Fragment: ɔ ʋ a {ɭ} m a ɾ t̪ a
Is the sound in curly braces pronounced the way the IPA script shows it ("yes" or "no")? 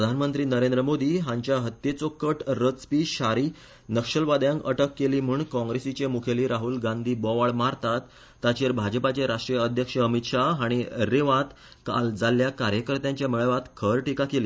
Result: yes